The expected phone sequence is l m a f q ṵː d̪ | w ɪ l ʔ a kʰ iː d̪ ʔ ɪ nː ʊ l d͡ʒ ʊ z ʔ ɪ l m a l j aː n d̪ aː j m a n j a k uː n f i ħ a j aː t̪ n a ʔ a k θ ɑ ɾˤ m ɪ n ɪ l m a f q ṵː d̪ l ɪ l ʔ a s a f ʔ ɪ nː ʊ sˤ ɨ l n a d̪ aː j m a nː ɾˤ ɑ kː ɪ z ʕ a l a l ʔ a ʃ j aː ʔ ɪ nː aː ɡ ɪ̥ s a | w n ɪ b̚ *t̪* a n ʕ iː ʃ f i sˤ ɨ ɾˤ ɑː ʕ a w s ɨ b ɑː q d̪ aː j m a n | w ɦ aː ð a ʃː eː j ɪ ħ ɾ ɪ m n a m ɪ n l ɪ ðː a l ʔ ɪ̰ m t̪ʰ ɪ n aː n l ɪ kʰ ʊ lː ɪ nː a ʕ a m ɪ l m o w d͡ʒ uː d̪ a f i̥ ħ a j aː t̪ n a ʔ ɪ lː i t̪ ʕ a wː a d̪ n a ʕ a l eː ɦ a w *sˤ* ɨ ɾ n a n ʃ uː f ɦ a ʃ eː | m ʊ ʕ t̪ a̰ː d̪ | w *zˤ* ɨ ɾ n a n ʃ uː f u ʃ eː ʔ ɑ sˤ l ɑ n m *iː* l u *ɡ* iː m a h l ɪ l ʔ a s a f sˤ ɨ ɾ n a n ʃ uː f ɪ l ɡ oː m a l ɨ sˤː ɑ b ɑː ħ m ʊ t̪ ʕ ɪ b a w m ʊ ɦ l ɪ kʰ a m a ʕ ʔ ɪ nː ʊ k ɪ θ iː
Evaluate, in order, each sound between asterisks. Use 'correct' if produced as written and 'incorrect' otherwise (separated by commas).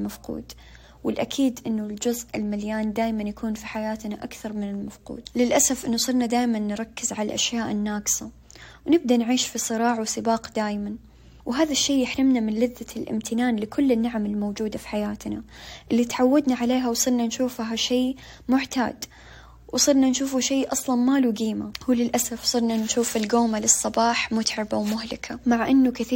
incorrect, correct, incorrect, incorrect, correct